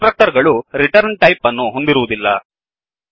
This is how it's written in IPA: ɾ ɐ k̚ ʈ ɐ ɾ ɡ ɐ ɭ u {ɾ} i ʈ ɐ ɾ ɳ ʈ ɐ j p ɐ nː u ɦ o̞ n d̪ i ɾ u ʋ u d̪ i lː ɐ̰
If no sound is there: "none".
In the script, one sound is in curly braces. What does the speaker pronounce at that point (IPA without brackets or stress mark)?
ɾ